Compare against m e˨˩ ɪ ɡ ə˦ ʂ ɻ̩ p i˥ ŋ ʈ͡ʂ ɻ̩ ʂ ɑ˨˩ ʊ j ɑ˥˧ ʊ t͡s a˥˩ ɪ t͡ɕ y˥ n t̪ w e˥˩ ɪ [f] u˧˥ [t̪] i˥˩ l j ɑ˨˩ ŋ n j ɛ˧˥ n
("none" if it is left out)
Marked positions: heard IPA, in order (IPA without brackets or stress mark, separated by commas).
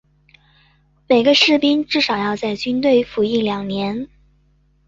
f, none